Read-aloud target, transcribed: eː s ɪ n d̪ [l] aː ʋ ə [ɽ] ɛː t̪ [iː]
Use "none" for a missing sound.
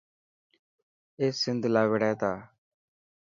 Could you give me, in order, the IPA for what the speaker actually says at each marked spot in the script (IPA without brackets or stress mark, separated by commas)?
l, ɽ, aː